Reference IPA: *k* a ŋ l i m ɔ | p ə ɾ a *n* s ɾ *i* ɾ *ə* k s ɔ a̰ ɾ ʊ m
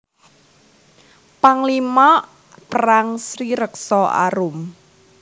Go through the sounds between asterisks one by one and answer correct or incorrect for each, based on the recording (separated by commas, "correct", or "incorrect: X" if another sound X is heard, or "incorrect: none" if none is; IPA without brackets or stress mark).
incorrect: p, incorrect: ŋ, correct, correct